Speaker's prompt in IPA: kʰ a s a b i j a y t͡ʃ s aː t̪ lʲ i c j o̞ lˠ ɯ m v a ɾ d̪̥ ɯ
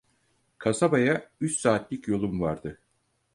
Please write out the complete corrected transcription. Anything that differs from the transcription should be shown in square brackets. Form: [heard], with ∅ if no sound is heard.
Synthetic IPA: kʰ a s a b [a] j a y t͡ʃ s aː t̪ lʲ i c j o̞ lˠ [u] m v a ɾ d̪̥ ɯ